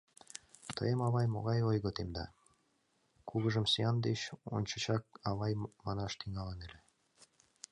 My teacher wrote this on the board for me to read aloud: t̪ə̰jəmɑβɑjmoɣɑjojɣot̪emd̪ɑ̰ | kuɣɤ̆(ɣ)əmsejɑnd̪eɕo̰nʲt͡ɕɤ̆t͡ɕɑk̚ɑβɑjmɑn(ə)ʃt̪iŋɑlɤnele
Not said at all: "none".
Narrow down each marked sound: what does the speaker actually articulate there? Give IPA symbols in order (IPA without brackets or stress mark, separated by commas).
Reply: ʒ, ɑ